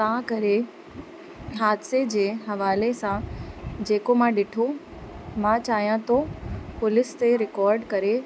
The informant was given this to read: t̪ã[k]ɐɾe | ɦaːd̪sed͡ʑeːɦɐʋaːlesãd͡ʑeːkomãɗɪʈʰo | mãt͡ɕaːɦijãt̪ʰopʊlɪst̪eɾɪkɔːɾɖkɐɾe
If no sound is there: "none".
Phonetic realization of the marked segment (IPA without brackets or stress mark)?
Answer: k